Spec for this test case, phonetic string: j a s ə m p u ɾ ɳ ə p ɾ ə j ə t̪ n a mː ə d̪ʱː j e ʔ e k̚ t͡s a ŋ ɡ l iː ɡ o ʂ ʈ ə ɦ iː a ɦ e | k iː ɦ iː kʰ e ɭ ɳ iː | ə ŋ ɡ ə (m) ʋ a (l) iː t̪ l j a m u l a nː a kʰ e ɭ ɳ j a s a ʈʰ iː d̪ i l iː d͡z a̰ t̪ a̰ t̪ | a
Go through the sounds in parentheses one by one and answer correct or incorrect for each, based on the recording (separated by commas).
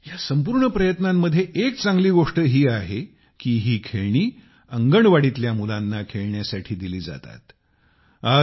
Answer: incorrect, incorrect